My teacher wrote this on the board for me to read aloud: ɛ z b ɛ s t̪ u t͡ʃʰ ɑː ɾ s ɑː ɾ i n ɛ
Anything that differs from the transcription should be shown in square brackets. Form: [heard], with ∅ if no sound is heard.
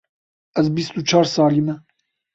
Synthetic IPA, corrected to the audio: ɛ z b [i] s t̪ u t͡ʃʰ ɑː ɾ s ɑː [l] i [m] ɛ